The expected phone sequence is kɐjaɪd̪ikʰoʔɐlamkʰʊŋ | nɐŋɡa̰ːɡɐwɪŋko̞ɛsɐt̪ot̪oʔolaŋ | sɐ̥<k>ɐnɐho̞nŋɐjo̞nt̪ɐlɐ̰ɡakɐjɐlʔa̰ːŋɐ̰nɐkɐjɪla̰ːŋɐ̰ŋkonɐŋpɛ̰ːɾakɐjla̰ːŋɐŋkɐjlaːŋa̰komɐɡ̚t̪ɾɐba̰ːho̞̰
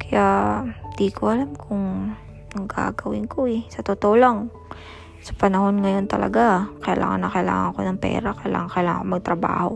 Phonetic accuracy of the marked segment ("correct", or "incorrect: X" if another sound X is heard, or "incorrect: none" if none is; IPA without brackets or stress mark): incorrect: p